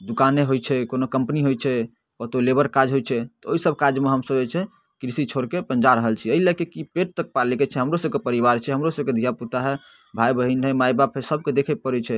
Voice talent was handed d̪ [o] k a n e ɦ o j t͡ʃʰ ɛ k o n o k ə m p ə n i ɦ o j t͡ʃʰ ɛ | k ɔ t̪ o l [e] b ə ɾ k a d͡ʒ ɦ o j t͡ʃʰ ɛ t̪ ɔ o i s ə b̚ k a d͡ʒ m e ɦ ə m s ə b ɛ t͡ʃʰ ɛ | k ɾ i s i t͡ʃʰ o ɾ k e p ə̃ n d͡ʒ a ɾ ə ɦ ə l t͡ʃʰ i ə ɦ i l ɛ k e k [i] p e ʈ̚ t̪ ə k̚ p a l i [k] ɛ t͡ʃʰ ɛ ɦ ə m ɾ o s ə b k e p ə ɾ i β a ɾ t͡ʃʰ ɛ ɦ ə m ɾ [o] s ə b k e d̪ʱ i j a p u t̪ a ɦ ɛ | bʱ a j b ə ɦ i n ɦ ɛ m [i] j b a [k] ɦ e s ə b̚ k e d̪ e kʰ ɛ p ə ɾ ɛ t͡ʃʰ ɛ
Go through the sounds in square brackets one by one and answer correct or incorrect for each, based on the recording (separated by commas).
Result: incorrect, correct, correct, correct, correct, incorrect, incorrect